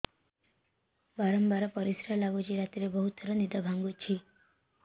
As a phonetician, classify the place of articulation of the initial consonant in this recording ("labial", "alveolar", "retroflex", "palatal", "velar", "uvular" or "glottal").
labial